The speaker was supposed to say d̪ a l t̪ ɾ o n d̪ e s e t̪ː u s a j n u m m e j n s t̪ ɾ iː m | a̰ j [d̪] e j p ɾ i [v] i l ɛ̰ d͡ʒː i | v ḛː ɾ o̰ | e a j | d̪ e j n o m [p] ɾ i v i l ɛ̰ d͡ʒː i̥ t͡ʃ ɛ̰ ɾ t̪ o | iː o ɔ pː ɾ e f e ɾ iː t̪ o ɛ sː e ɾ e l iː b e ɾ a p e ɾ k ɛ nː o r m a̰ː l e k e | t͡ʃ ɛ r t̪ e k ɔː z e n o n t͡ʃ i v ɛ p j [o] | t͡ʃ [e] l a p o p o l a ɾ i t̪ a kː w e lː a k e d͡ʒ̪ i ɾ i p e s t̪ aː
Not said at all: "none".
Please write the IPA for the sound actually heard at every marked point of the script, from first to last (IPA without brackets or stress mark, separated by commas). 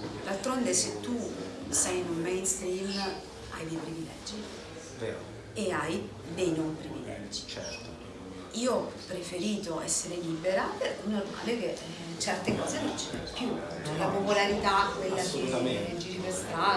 d̪, v, p, u, ɛ